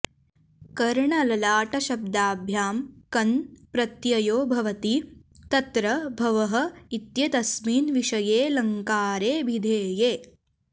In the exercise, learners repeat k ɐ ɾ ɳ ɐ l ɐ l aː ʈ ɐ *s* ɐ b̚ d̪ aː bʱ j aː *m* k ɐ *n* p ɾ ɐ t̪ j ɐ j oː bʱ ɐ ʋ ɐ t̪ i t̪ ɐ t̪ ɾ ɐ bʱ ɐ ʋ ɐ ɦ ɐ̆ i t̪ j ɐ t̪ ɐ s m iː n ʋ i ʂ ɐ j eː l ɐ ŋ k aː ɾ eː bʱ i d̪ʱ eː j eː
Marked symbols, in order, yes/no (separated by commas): no, yes, yes